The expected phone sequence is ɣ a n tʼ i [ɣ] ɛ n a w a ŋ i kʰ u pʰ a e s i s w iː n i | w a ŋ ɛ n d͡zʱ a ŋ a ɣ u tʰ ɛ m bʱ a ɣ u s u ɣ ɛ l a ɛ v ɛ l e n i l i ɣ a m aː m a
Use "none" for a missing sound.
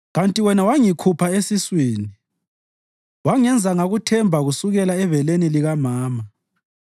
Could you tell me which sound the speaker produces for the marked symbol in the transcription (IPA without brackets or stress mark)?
w